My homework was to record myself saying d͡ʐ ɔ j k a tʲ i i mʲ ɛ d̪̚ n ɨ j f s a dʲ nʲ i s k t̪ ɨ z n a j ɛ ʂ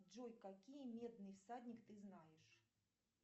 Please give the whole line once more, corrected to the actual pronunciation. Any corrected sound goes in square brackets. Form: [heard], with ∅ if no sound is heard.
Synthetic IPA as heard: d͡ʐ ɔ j k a [kʲ] i [j] mʲ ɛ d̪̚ n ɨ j f s a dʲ nʲ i [∅] k t̪ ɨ z n a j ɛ ʂ